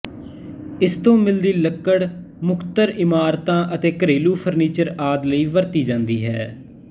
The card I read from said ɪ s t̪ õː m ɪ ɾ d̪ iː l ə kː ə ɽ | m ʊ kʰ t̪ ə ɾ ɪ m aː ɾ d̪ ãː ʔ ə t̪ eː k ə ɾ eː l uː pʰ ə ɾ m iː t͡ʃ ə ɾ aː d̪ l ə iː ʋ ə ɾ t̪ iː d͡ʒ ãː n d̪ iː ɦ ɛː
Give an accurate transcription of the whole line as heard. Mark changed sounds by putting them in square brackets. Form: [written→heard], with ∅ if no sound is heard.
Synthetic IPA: ɪ s t̪ õː m ɪ [ɾ→l] d̪ iː l ə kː ə ɽ | m ʊ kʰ t̪ ə ɾ ɪ m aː ɾ [d̪→t̪] ãː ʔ ə t̪ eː k ə ɾ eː l uː pʰ ə ɾ [m→n] iː t͡ʃ ə ɾ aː d̪ l ə iː ʋ ə ɾ t̪ iː d͡ʒ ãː n d̪ iː ɦ ɛː